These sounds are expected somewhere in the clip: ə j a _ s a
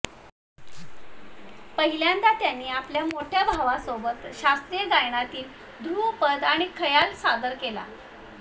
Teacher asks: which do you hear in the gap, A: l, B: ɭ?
A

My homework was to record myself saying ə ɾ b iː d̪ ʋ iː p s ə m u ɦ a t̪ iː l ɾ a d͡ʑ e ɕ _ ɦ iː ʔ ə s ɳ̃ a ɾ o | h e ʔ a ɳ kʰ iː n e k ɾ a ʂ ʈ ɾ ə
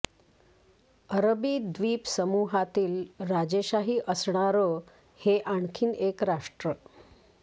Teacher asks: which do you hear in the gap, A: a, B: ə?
A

